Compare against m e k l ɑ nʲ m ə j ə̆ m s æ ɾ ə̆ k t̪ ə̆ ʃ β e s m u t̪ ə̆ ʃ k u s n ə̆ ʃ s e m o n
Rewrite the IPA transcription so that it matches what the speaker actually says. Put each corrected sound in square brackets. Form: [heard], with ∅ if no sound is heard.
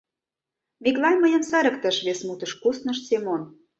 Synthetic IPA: m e k l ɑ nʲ m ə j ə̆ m s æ ɾ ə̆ k t̪ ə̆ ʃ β e s m u t̪ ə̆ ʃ k u s n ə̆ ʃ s e m o n